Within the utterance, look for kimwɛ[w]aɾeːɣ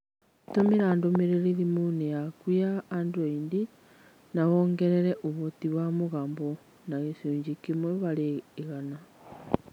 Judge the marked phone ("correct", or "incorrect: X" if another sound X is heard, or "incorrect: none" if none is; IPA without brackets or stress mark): incorrect: β